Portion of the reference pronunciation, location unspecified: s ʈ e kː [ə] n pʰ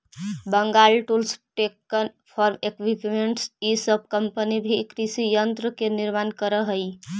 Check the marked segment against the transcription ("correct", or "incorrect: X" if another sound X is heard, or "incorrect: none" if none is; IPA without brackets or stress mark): correct